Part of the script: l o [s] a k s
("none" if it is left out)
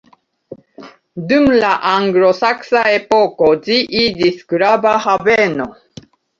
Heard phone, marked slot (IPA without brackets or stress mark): s